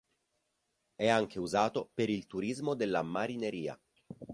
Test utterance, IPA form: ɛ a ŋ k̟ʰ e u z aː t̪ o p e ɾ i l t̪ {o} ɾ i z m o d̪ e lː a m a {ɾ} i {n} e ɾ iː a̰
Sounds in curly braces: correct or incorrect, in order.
incorrect: u, correct, correct

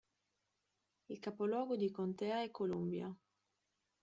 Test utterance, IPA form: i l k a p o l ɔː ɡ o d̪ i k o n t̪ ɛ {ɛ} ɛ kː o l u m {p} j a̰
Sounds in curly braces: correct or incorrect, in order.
incorrect: a, incorrect: b

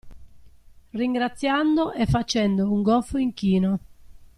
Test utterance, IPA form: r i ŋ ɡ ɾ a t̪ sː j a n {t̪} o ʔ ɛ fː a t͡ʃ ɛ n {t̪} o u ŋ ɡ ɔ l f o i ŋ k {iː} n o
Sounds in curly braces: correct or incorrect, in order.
incorrect: d̪, incorrect: d̪, correct

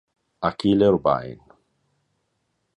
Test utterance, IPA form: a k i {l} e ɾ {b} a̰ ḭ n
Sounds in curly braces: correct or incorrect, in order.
correct, correct

